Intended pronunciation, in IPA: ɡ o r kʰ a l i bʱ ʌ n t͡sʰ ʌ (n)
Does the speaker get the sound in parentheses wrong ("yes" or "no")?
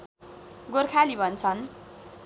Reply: no